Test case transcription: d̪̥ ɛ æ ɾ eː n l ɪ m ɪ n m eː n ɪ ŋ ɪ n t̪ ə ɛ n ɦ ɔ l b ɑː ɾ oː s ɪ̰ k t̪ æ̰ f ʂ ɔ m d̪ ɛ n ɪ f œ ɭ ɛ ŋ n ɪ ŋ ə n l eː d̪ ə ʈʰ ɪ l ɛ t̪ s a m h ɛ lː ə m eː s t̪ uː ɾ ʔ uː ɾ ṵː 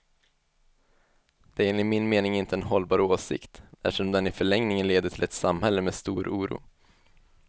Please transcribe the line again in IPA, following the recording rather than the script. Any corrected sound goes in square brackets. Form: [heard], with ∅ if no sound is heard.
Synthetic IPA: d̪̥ ɛ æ ɾ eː n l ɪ m ɪ n m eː n ɪ ŋ ɪ n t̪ ə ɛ n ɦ ɔ l b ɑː ɾ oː s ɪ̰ k t̪ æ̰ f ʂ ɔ m d̪ ɛ n ɪ f œ ɭ ɛ ŋ n ɪ ŋ ə n l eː d̪ ə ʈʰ ɪ l ɛ t̪ s a m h ɛ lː ə m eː s t̪ uː ɾ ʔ uː ɾ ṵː